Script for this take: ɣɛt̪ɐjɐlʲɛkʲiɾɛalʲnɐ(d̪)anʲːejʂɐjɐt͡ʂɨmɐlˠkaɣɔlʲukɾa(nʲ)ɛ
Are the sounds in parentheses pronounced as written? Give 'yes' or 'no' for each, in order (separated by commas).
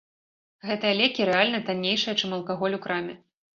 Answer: no, no